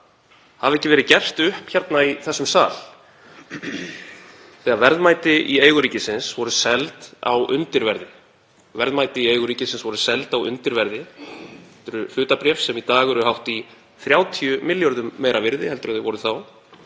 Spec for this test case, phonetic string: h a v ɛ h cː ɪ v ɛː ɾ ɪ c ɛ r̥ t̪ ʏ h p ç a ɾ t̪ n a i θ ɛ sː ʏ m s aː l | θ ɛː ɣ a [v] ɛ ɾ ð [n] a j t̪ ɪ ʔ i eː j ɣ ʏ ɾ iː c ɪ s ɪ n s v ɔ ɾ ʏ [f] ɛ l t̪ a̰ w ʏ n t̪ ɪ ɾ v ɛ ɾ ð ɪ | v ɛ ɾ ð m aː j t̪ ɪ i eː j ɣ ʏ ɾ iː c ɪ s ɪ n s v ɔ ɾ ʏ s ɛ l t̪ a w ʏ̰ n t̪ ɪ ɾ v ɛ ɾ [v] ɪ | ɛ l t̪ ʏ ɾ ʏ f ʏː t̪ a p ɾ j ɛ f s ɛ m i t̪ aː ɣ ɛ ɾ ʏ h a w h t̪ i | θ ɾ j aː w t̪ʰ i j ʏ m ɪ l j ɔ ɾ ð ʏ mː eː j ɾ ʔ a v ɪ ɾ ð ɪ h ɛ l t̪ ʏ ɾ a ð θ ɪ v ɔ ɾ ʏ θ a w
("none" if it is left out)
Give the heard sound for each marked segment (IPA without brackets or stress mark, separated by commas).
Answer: v, m, s, ð